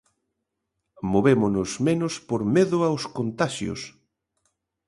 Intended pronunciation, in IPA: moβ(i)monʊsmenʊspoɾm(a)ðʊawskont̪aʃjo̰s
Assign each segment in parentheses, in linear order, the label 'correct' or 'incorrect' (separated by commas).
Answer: incorrect, incorrect